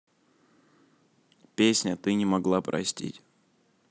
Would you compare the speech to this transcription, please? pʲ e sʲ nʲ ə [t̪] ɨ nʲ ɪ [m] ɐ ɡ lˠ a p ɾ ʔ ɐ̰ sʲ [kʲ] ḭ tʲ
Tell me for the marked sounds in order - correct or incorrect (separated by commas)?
correct, correct, incorrect